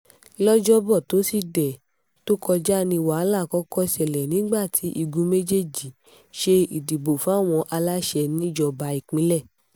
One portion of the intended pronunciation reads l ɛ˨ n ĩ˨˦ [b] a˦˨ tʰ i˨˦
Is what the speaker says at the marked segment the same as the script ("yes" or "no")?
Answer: no